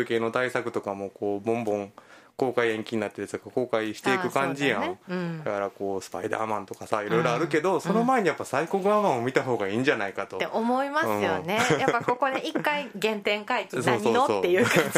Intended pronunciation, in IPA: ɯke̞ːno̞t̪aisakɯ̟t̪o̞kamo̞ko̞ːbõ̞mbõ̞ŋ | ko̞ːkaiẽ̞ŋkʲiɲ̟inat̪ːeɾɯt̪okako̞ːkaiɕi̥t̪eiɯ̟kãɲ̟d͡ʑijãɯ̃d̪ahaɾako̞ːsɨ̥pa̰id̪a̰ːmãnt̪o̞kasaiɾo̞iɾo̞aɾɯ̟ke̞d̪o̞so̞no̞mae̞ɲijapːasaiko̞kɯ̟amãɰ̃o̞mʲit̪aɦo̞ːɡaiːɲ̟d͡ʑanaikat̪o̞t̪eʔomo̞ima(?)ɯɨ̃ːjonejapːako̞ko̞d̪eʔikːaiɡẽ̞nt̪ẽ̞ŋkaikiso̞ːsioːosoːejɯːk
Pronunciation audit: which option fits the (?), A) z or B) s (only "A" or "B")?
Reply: B